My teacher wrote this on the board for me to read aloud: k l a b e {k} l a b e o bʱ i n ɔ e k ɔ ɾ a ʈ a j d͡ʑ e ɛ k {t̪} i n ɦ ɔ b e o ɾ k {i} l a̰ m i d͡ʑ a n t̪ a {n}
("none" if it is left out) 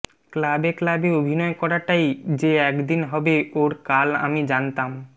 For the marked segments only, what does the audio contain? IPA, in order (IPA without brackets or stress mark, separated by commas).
k, d̪, a, m